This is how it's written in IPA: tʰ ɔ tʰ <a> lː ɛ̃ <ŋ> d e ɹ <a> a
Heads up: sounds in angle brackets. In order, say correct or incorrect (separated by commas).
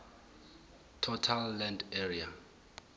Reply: correct, incorrect, incorrect